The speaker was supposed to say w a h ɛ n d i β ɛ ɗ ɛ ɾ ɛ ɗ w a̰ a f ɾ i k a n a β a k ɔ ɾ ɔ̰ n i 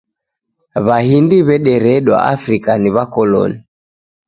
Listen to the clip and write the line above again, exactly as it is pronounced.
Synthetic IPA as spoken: β a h i n d i β ɛ ɗ ɛ ɾ ɛ ɗ w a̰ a f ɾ i k a n i β a k ɔ l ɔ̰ n i